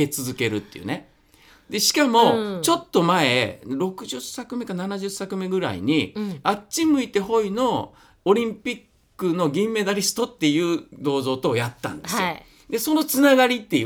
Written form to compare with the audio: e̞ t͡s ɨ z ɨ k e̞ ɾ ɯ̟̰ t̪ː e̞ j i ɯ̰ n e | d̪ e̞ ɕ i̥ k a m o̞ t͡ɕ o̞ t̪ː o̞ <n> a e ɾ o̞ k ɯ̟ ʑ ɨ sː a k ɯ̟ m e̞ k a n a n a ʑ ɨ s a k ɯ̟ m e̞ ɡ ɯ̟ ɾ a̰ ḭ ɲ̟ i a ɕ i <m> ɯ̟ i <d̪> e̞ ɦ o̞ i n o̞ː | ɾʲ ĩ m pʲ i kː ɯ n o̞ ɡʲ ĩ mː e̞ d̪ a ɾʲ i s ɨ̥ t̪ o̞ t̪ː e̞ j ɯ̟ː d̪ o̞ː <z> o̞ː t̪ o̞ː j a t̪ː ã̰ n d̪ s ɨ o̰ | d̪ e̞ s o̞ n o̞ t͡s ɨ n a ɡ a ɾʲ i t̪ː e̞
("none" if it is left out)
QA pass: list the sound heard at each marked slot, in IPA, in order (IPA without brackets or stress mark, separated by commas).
m, m, t̪, z